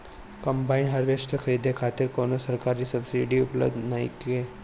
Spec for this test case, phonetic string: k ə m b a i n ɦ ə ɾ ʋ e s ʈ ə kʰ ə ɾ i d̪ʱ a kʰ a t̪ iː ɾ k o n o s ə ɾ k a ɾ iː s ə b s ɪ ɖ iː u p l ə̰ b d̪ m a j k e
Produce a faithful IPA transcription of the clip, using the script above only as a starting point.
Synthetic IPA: k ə m b a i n ɦ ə ɾ ʋ e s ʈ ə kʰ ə ɾ i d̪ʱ e kʰ a t̪ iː ɾ k o n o s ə ɾ k a ɾ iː s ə b s i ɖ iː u p l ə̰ b d̪ n a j k e

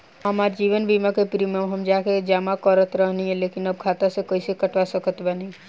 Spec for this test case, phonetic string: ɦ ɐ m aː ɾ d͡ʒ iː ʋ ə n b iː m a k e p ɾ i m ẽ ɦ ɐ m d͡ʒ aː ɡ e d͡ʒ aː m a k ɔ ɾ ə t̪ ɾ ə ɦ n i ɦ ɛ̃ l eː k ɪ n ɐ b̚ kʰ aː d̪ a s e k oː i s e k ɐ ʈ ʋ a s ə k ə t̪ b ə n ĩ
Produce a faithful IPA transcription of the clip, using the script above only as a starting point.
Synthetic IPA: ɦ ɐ m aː ɾ d͡ʒ iː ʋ ə n b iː m a k e p ɾ i m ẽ ɦ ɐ m d͡ʒ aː k e d͡ʒ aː m a k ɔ ɾ ə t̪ ɾ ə ɦ n i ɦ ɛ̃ l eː k ɪ n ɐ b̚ kʰ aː t̪ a s e k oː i s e k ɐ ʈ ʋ a s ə k ə t̪ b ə n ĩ

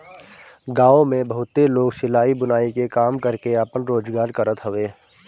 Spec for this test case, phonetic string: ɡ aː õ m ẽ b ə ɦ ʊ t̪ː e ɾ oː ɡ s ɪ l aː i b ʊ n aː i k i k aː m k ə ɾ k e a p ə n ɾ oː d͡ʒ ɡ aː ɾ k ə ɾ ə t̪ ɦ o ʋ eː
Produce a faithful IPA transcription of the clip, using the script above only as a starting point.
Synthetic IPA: ɡ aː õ m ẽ b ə ɦ ʊ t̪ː e l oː ɡ s ɪ l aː i b ʊ n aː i k e k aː m k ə ɾ k e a p ə n ɾ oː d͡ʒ ɡ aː ɾ k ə ɾ ə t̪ ɦ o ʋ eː

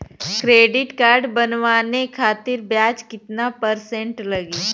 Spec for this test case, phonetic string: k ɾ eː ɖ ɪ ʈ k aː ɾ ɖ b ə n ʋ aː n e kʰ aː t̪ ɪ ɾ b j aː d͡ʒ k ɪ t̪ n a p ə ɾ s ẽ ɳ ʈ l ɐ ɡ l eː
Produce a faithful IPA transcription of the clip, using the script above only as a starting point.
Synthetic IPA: k ɾ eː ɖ ɪ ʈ k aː ɾ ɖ b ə n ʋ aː n e kʰ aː t̪ ɪ ɾ b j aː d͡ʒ k ɪ t̪ n a p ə ɾ s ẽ ɳ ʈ l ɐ ɡ l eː

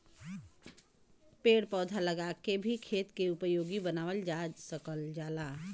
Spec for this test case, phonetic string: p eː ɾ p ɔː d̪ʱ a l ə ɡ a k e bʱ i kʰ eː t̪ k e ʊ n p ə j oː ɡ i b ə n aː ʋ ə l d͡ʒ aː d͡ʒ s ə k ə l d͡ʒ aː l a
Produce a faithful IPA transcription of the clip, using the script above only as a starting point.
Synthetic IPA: p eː ɽ p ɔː d̪ʱ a l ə ɡ a k e bʱ i kʰ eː t̪ k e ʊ p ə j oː ɡ i b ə n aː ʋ ə l d͡ʒ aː d͡ʒ s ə k ə l d͡ʒ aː l a

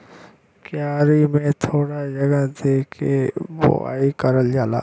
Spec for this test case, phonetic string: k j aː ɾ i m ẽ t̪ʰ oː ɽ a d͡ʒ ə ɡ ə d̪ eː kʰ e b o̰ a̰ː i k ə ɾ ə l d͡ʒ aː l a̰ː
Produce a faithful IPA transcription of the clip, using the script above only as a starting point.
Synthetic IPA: k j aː ɾ i m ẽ t̪ʰ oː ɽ a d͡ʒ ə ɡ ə d̪ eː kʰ e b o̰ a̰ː i k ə ɾ ə l d͡ʒ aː l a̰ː

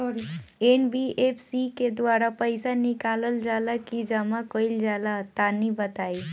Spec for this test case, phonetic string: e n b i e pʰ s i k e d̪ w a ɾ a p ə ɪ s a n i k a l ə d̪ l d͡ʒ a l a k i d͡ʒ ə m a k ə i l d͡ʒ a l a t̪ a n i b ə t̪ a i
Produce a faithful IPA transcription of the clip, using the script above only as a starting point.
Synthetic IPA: e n b i e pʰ s i k e d̪ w a ɾ a p ə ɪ s a n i k a l ə l d͡ʒ a l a k i d͡ʒ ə m a k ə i l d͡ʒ a l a t̪ a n i b ə t̪ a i

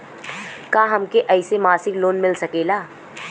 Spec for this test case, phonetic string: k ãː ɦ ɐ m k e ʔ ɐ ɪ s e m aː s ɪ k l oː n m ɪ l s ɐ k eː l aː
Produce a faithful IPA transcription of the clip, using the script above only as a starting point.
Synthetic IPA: k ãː ɦ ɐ m k e ʔ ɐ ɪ s e m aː s ɪ k l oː n m ɪ l s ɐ k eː l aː

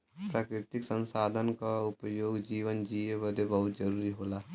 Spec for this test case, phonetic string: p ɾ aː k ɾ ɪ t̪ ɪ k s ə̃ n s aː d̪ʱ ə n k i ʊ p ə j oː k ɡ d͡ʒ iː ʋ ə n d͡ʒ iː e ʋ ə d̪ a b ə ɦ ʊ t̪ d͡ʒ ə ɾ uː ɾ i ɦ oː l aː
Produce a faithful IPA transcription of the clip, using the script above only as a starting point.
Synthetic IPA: p ɾ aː k ɾ ɪ t̪ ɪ k s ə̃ n s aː d̪ʱ ə n k a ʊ p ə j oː ɡ d͡ʒ iː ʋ ə n d͡ʒ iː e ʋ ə d̪ e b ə ɦ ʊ t̪ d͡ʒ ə ɾ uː ɾ i ɦ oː l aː

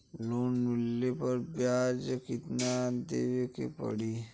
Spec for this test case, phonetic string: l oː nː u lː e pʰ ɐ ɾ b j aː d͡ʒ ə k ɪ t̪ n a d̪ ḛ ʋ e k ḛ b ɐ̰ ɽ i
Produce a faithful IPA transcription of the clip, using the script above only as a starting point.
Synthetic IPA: l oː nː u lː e p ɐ ɾ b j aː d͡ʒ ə k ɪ t̪ n a d̪ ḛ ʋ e k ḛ p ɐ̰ ɽ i

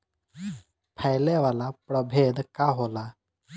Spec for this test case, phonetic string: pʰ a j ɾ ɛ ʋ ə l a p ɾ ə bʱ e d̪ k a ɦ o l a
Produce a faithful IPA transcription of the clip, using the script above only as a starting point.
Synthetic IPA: pʰ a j l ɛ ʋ a l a p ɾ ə bʱ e d̪ k a ɦ o l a

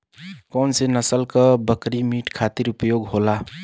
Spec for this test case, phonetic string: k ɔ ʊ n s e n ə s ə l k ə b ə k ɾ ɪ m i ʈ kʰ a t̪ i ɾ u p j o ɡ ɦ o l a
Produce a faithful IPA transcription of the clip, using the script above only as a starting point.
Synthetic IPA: k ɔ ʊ n s e n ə s ə l k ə b ə k ɾ i m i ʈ kʰ a t̪ i ɾ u p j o ɡ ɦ o l a

